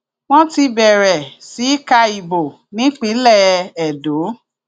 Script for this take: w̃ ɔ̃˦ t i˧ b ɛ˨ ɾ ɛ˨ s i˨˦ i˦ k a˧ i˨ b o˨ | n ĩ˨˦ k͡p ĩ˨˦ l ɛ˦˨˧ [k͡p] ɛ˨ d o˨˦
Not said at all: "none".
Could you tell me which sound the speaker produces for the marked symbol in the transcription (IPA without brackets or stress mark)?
none